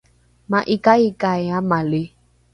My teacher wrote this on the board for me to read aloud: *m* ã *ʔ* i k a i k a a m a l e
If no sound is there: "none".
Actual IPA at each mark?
m, ʔ

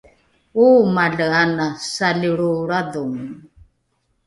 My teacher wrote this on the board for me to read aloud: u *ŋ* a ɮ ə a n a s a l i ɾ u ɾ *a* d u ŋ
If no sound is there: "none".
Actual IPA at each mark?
m, a

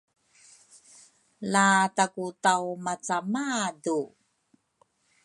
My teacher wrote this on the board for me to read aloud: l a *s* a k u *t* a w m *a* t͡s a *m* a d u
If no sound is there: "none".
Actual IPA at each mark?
t, t, a, m

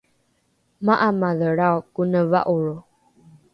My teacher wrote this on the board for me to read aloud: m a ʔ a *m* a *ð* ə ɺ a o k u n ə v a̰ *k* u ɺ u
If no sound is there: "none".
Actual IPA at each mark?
m, ð, ʔ

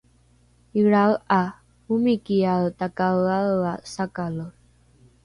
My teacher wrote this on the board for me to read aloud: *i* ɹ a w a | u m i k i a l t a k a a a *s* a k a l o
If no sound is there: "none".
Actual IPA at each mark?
i, s

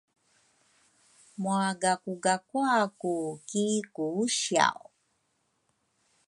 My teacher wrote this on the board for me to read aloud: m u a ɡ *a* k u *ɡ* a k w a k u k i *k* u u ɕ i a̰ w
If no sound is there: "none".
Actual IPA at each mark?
a, ɡ, k

